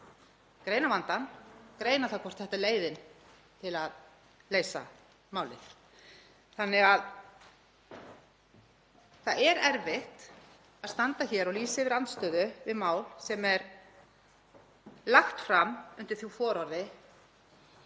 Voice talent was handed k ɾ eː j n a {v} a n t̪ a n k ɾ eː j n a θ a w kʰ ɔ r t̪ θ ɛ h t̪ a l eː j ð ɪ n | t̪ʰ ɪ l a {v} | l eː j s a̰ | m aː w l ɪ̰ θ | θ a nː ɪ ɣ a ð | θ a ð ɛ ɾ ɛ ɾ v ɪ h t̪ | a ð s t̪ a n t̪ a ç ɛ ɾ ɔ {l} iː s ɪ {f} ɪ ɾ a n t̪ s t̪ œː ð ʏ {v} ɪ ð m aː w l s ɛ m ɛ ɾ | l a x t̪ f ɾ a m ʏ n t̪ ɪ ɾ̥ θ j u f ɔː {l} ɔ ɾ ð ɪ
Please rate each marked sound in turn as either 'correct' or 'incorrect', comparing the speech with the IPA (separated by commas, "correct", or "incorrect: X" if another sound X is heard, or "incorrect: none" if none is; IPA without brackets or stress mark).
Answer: correct, incorrect: ð, correct, incorrect: v, correct, incorrect: ɾ